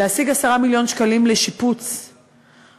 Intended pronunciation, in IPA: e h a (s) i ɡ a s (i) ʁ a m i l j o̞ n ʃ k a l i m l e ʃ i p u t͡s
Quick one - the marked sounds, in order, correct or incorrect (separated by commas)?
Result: correct, incorrect